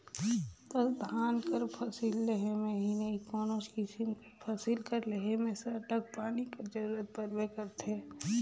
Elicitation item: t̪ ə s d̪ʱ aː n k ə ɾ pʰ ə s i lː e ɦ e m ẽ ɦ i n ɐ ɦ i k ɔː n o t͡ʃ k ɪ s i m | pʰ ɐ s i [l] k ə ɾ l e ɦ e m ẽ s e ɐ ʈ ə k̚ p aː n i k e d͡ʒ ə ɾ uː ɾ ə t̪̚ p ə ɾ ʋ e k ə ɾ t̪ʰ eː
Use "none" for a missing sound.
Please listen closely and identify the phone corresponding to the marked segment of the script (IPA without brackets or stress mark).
l